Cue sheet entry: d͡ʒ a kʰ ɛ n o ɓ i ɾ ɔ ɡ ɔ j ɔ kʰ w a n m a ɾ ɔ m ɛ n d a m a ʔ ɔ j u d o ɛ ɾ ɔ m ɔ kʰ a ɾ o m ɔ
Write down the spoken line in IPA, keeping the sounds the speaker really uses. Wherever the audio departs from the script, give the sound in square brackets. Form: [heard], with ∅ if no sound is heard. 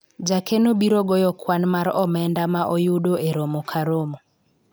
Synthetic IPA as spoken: d͡ʒ a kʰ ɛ n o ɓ i ɾ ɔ ɡ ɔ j ɔ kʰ w a n m a ɾ ɔ m ɛ n d a m a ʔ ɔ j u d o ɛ ɾ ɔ m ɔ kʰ a ɾ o m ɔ